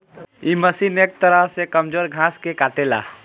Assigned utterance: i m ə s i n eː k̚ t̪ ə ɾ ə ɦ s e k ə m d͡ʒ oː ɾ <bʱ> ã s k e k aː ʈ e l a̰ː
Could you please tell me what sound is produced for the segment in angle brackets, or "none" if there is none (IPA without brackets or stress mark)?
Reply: ɡʱ